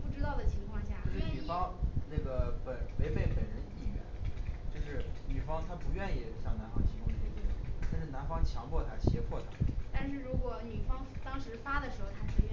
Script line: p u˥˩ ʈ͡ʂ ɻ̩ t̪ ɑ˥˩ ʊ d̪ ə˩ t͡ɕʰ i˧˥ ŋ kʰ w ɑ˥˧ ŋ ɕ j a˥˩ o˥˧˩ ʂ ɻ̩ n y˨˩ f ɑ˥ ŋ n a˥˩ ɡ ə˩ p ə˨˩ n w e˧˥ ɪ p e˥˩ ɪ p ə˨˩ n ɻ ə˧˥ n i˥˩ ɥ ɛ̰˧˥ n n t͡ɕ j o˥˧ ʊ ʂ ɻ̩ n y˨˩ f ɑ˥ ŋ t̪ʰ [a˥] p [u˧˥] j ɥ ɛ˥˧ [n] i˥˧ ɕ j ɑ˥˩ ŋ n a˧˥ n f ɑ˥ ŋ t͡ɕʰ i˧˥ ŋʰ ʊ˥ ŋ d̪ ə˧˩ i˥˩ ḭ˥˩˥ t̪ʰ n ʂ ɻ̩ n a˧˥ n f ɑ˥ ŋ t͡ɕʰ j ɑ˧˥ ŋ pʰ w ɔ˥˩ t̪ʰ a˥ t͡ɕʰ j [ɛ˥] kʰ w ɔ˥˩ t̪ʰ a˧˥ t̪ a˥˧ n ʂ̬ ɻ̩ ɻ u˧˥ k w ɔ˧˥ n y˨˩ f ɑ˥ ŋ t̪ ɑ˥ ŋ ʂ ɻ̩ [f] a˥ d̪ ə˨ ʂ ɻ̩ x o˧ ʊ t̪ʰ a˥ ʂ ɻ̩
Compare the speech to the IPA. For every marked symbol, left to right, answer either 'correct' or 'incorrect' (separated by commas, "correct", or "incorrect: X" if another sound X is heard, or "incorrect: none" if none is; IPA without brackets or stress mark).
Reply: correct, correct, correct, correct, correct